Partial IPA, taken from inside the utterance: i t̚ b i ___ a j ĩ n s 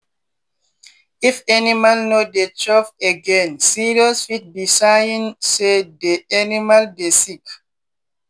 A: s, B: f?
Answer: A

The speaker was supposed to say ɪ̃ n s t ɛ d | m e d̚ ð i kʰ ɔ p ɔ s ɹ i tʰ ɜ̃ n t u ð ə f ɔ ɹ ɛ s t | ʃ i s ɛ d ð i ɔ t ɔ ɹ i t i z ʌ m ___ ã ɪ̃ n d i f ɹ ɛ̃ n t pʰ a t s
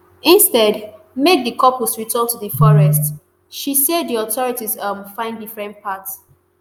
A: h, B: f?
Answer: B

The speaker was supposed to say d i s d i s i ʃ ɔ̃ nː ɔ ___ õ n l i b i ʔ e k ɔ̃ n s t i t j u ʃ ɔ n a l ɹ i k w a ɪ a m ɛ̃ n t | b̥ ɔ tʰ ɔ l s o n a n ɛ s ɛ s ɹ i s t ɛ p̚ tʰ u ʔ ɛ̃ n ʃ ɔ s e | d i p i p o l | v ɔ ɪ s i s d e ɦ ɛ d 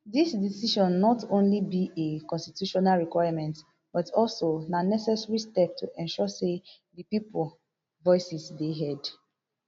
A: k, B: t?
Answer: B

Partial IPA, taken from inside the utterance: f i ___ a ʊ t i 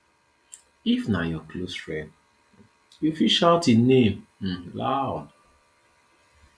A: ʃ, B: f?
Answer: A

